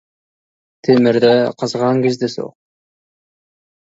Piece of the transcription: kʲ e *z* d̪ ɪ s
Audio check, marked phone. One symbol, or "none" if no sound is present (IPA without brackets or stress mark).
z